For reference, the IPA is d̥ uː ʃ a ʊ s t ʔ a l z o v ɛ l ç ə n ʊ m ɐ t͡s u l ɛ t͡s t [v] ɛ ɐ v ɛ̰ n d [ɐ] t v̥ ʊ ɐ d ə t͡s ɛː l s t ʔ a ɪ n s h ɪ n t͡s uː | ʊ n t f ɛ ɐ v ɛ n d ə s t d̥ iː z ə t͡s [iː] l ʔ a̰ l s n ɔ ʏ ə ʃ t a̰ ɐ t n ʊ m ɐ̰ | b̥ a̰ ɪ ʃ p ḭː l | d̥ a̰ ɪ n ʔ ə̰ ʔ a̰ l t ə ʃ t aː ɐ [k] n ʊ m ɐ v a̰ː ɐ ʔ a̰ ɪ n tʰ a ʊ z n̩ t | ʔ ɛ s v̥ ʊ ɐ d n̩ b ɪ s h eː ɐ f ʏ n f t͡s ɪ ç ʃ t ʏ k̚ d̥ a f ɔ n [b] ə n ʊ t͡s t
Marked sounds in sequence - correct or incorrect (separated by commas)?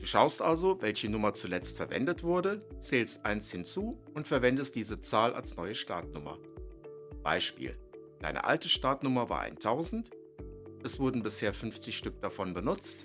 incorrect, incorrect, incorrect, incorrect, correct